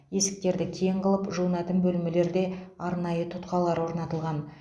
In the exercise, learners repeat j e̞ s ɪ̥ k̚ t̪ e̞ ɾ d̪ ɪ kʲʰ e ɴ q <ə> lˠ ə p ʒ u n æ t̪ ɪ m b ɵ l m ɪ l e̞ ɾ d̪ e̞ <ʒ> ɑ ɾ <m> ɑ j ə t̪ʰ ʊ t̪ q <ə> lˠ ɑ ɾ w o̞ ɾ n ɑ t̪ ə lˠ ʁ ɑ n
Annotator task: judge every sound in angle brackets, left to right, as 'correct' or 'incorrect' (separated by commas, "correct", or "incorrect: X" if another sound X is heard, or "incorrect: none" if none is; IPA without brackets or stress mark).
correct, incorrect: none, incorrect: n, incorrect: ɑ